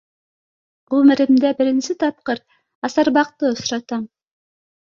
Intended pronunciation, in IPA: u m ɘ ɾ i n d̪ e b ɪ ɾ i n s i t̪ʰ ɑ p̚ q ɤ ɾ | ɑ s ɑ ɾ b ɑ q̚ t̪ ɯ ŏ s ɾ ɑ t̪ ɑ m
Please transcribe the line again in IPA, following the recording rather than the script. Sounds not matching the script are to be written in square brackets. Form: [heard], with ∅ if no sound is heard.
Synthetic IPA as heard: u m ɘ ɾ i [m] d̪ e b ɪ ɾ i n s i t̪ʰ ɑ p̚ q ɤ ɾ | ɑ s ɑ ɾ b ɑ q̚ t̪ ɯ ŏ s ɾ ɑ t̪ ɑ m